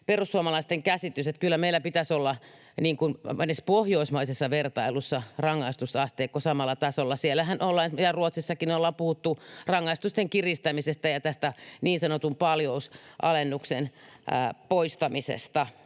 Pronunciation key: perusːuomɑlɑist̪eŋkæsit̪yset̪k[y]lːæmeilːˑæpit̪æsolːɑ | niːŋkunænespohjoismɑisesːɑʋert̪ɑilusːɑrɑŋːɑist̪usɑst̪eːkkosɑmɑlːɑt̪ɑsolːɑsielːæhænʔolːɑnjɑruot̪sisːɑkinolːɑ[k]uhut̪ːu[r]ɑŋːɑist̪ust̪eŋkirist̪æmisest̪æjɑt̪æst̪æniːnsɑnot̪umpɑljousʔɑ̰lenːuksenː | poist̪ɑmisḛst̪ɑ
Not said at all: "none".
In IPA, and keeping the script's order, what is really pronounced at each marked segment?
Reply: y, p, r

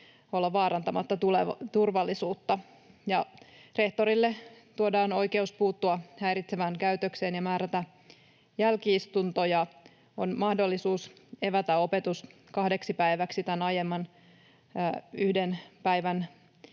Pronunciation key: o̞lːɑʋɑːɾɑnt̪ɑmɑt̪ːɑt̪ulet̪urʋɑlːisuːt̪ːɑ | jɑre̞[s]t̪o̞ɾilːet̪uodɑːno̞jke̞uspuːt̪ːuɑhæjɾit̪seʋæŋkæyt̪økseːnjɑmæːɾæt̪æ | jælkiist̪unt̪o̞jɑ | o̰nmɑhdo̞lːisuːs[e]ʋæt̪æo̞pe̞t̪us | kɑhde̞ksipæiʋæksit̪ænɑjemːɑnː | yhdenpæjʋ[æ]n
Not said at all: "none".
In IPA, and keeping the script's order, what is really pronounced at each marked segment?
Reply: h, e, æ

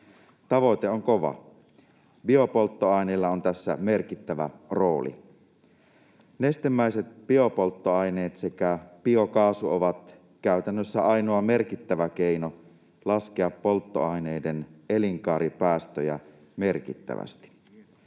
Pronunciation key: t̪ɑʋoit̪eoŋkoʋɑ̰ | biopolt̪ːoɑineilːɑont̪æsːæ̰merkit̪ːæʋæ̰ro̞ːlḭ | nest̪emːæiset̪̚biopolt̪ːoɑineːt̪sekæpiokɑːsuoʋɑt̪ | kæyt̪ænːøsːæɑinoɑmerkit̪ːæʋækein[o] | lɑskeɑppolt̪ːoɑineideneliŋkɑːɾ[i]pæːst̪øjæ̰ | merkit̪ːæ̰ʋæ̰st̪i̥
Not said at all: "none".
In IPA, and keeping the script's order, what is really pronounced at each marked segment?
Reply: o, i

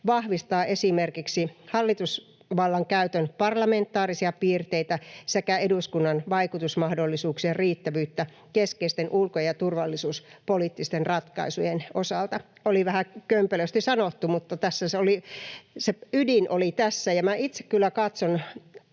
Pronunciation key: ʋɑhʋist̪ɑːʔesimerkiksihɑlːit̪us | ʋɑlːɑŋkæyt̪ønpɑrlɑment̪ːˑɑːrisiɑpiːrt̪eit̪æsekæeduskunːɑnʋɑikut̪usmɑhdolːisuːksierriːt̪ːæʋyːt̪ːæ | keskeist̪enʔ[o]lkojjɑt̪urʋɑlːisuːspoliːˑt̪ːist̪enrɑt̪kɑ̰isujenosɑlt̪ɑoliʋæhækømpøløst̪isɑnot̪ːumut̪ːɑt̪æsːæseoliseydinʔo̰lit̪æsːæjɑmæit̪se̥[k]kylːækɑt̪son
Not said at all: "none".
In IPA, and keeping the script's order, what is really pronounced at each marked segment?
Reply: u, k

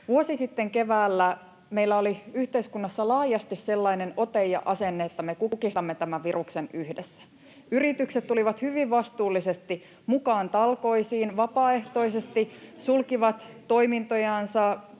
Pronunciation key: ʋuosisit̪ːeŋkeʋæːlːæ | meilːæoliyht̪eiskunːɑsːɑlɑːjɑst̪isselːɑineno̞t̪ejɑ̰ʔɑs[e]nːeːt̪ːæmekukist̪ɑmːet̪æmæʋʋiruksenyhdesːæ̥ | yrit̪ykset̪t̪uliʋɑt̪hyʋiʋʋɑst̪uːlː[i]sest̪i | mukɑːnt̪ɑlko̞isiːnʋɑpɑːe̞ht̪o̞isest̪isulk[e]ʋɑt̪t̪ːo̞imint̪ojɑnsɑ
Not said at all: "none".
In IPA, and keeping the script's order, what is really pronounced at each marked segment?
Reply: e, i, i

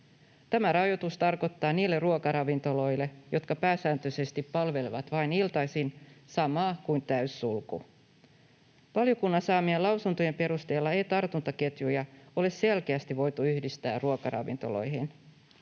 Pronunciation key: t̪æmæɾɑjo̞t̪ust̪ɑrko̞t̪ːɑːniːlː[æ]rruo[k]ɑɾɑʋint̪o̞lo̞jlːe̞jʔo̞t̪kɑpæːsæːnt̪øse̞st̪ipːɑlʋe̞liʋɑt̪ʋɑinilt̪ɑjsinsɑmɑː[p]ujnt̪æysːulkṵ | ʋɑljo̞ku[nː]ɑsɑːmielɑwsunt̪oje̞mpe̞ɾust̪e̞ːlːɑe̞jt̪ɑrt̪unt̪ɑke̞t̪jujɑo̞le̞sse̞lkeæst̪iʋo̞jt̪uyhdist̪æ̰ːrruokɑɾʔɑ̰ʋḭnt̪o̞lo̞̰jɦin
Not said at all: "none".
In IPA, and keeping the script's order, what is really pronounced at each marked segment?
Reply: e, k, k, nː

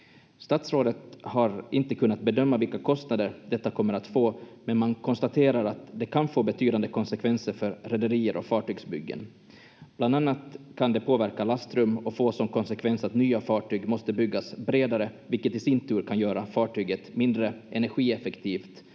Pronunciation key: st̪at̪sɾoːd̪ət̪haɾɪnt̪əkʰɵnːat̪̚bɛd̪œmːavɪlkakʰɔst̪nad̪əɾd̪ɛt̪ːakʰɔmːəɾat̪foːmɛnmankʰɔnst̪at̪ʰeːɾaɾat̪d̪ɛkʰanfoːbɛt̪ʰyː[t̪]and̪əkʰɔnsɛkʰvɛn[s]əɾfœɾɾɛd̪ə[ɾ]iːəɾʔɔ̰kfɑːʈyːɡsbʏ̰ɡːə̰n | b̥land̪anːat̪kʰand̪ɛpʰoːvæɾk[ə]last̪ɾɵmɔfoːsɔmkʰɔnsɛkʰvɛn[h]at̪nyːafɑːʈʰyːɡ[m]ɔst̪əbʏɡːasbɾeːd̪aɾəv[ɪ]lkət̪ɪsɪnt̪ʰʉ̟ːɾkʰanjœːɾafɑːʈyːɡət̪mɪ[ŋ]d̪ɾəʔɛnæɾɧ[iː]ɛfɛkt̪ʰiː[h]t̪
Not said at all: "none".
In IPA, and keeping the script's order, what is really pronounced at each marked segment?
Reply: d̪, s, ɾ, a, s, m, ɪ, n, iː, f

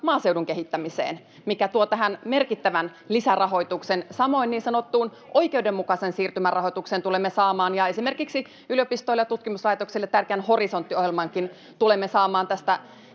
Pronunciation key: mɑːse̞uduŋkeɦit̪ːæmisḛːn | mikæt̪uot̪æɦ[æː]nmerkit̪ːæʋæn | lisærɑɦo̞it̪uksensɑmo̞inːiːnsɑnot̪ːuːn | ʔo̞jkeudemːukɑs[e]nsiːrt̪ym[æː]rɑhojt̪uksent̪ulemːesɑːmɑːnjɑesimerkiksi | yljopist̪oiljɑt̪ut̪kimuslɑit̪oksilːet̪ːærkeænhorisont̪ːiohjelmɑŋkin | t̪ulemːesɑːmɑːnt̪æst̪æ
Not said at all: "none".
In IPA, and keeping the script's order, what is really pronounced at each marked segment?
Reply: æ, e, æ

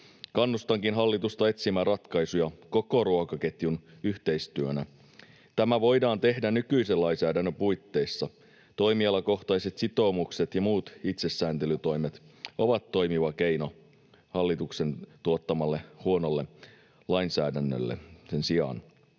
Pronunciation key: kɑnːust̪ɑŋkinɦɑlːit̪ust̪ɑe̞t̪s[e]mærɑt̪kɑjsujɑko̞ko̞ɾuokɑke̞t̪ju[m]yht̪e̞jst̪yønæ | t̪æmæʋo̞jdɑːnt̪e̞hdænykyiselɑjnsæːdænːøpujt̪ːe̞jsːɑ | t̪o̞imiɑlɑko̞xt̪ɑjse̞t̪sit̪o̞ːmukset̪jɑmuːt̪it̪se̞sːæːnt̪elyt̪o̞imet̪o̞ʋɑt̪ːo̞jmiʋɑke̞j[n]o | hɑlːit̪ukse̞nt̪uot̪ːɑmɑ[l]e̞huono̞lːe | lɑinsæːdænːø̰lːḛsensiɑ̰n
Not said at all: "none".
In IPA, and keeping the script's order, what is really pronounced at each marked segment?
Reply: i, n, n, lː

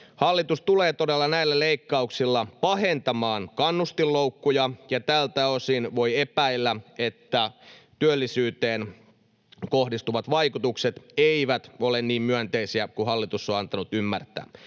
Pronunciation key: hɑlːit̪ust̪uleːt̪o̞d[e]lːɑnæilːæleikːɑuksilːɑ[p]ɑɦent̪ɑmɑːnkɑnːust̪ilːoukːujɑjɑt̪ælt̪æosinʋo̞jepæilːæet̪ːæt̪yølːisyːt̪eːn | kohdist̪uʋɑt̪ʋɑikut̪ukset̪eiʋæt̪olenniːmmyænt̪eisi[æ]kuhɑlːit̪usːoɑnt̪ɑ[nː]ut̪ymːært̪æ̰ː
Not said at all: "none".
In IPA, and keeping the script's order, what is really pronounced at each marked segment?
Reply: e, p, æ, n

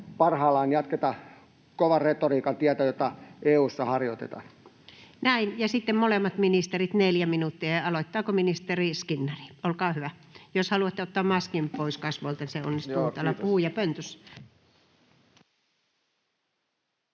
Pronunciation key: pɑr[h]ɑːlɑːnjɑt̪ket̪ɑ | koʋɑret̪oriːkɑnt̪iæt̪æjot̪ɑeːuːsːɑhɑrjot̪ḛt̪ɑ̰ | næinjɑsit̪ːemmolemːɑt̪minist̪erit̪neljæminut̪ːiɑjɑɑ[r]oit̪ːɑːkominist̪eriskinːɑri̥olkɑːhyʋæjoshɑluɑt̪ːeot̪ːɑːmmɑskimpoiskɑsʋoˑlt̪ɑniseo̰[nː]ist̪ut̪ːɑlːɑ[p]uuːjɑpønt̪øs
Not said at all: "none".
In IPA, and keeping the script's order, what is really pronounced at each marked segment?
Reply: h, l, nː, p

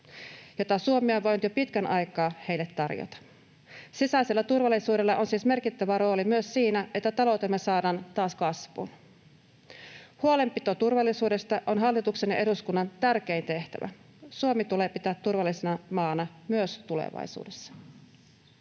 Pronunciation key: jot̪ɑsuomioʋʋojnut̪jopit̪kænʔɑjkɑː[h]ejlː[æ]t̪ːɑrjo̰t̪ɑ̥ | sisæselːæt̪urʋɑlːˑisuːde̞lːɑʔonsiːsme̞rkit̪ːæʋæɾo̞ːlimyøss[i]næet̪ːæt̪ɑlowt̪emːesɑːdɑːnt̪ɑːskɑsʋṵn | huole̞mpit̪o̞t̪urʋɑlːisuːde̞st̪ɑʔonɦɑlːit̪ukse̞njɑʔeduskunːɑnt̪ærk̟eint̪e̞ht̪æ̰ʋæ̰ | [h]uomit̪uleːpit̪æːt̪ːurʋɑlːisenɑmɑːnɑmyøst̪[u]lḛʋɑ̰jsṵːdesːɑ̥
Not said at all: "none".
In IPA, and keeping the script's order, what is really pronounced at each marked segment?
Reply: h, e, iː, s, u

